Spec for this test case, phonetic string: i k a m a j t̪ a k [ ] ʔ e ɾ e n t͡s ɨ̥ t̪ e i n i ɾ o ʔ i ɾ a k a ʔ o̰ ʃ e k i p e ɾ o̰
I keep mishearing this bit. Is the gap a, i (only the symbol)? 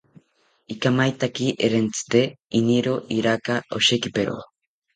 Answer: i